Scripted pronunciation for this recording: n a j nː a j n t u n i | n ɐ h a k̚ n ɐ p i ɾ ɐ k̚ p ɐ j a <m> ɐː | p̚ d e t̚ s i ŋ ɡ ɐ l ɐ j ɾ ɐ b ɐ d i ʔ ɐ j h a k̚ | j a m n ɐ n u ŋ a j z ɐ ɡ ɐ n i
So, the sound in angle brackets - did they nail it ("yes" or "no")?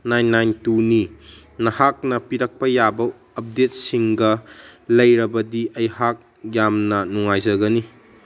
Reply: no